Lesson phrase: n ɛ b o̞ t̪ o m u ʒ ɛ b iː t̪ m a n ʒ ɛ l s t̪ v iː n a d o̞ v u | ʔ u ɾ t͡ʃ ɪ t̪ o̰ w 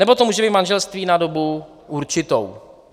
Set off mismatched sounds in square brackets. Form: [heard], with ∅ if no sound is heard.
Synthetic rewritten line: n ɛ b o̞ t̪ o m [uː] ʒ ɛ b iː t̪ m a n ʒ ɛ l s t̪ v iː n a d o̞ [b] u | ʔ u ɾ t͡ʃ ɪ t̪ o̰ w